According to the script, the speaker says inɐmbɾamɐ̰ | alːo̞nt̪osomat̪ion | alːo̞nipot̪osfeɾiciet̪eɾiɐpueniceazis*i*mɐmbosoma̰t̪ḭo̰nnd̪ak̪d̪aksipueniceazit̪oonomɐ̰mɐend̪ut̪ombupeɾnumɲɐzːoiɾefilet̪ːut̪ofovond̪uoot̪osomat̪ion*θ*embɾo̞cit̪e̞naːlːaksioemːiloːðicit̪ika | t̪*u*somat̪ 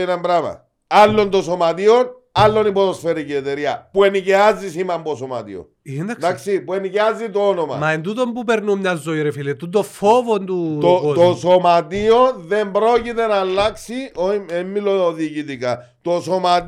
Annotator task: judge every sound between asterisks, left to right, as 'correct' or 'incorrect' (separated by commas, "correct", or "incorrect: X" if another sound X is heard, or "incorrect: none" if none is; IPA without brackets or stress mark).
correct, incorrect: ð, incorrect: o